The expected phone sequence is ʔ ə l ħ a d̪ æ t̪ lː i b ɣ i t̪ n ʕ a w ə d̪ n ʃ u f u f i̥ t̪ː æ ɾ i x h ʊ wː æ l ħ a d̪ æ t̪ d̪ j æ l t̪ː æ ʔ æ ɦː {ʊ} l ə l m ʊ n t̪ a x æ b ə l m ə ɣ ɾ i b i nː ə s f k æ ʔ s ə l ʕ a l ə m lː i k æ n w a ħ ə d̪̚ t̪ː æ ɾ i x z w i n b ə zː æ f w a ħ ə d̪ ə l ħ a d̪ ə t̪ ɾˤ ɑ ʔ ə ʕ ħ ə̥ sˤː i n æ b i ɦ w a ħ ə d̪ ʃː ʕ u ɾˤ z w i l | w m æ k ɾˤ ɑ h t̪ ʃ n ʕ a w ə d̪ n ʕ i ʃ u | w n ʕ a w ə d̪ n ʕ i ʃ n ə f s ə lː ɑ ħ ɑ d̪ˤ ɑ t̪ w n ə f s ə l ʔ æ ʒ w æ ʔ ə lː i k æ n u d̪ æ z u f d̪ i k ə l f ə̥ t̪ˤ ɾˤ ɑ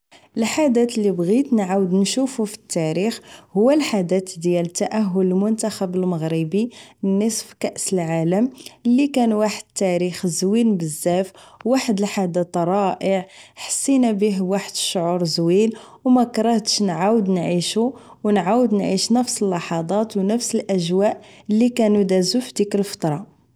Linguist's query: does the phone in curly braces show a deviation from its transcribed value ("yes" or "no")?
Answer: no